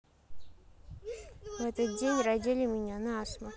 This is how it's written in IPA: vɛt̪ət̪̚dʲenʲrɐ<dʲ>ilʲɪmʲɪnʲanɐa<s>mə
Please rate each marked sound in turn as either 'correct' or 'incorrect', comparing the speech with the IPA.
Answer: correct, correct

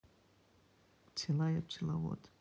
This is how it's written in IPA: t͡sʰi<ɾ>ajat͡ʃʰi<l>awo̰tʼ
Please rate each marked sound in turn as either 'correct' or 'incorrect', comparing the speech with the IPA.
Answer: incorrect: l, correct

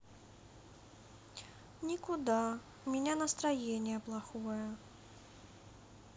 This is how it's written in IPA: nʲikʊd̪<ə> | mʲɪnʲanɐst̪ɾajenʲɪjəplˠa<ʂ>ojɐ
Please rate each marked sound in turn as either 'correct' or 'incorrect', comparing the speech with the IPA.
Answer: incorrect: a, incorrect: x

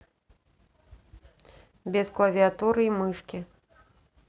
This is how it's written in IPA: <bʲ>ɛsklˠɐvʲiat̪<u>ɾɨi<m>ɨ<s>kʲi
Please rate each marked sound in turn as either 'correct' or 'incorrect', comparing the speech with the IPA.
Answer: correct, correct, correct, incorrect: ʂ

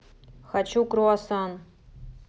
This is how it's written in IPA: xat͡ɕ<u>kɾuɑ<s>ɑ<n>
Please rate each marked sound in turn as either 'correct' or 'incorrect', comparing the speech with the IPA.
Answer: correct, correct, correct

